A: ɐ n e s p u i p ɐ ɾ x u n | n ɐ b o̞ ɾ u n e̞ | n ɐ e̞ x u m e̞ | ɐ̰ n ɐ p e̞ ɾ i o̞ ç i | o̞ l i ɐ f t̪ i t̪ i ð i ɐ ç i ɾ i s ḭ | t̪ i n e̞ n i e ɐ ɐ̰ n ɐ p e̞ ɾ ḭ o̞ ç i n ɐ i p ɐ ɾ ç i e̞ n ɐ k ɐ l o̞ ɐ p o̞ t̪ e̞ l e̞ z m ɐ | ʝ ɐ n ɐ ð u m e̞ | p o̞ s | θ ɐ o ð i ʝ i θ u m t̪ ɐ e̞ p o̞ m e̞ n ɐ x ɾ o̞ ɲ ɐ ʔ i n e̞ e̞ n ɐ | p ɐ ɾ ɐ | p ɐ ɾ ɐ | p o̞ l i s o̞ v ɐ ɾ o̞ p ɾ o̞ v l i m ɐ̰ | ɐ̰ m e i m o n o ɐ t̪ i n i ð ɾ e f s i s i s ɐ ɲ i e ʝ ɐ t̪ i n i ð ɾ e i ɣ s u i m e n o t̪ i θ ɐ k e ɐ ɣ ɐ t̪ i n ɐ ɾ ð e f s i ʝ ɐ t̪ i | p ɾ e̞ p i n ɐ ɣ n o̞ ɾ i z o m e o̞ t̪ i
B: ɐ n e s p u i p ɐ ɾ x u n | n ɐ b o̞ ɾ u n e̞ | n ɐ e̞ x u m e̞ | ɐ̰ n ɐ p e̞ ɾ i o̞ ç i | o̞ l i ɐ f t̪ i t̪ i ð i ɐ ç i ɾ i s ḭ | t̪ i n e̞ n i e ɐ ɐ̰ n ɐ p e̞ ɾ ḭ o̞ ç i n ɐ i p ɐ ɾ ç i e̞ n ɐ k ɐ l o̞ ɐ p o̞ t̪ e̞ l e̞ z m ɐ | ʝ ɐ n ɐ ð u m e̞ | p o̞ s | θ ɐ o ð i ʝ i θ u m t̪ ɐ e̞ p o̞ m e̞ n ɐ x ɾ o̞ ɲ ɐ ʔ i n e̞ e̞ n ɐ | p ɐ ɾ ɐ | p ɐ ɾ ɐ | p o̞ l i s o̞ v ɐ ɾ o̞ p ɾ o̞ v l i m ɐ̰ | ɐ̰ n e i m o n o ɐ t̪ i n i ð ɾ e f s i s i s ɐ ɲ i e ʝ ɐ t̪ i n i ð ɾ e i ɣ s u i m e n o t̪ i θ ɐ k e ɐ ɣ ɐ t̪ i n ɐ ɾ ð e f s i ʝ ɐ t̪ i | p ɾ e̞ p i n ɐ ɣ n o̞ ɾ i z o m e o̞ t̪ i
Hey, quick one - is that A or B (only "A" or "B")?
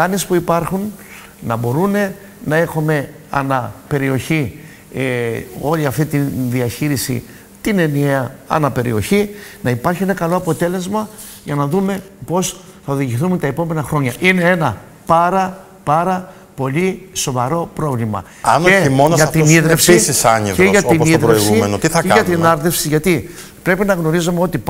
B